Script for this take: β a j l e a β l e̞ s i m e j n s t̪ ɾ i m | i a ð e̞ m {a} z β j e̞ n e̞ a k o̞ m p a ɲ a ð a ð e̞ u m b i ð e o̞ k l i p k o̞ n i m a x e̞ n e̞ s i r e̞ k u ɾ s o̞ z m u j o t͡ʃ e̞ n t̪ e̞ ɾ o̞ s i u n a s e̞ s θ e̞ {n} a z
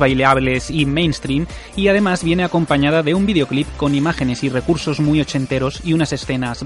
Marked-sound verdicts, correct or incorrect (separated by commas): correct, correct